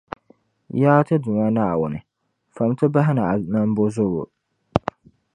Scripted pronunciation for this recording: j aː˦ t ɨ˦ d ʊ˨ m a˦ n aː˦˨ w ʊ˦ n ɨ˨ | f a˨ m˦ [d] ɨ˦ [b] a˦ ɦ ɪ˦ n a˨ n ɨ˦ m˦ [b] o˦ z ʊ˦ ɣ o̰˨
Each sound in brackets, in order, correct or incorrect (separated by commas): incorrect, correct, correct